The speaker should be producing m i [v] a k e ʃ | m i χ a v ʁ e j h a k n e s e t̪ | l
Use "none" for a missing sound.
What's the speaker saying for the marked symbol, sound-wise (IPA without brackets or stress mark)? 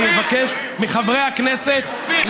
v